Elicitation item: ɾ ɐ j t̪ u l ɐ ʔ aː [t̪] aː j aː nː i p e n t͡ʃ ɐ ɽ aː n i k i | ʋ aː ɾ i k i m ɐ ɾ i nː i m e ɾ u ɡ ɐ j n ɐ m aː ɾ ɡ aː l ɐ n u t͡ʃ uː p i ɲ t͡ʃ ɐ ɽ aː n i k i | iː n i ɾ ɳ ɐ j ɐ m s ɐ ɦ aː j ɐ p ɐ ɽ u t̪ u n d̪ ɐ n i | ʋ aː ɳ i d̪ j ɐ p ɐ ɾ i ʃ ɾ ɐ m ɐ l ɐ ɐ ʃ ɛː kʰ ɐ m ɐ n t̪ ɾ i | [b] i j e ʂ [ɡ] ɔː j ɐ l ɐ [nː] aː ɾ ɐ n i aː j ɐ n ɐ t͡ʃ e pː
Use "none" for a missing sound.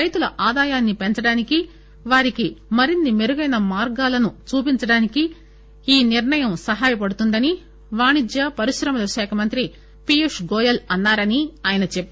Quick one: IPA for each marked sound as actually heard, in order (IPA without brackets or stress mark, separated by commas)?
d̪, p, ɡ, nː